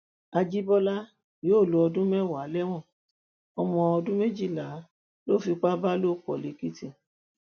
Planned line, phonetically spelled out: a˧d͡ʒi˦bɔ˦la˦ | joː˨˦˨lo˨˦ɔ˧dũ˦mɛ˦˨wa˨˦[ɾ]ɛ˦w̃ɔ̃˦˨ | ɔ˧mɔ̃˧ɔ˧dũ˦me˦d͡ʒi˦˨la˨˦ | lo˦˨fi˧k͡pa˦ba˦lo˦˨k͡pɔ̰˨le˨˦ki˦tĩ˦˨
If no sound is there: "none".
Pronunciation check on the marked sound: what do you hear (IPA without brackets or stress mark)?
l